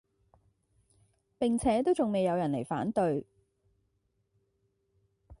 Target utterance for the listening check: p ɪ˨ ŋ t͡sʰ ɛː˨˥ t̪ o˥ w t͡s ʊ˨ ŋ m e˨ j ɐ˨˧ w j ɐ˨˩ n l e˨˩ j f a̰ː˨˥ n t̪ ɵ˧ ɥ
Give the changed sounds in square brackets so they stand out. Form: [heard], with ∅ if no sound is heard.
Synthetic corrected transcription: p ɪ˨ ŋ t͡sʰ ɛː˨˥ t̪ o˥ w t͡s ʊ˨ ŋ m e˨ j ɐ˨˧ w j ɐ˨˩ n l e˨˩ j f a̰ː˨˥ n t̪ ɵ˧ ɥ